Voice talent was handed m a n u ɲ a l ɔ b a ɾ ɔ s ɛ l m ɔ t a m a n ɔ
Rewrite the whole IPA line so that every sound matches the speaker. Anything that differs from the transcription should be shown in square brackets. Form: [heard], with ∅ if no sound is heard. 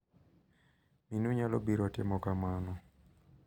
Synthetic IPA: m [i] n u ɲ a l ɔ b [i] ɾ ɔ [t] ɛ [∅] m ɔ [k] a m a n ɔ